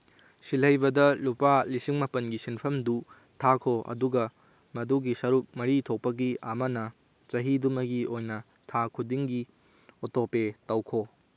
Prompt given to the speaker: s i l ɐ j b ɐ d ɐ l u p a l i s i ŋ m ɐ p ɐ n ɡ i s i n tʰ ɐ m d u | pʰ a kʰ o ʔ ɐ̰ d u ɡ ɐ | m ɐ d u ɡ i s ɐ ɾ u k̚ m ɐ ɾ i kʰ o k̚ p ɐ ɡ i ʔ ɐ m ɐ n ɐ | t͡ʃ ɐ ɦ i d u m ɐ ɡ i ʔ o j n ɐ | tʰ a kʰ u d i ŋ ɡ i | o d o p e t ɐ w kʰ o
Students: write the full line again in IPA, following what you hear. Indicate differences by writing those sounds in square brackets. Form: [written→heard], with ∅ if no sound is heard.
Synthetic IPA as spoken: s i l ɐ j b ɐ d ɐ l u p a l i s i ŋ m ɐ p ɐ n ɡ i s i n [tʰ→pʰ] ɐ m d u | [pʰ→tʰ] a kʰ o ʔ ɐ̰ d u ɡ ɐ | m ɐ d u ɡ i s ɐ ɾ u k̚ m ɐ ɾ i [kʰ→tʰ] o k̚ p ɐ ɡ i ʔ ɐ m ɐ n ɐ | t͡ʃ ɐ ɦ i d u m ɐ ɡ i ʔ o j n ɐ | tʰ a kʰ u d i ŋ ɡ i | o [d→t] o p e t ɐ w kʰ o